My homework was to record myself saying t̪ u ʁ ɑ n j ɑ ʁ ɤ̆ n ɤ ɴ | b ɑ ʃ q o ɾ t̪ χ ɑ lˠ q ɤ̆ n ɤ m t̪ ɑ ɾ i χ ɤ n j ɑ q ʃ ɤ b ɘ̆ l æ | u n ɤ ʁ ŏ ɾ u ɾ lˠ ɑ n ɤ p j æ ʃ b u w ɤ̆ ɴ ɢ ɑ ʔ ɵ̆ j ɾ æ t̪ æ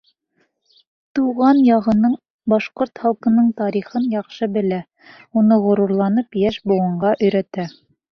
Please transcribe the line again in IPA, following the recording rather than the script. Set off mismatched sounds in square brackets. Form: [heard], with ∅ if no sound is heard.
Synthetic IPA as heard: t̪ u ʁ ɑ n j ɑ ʁ ɤ̆ n ɤ ɴ | b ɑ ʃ q o ɾ t̪ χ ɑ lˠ q ɤ̆ n ɤ [ɴ] t̪ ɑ ɾ i χ ɤ n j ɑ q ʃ ɤ b ɘ̆ l æ | u n ɤ ʁ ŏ ɾ u ɾ lˠ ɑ n ɤ p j æ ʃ b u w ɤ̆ ɴ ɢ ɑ ʔ ɵ̆ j ɾ æ t̪ æ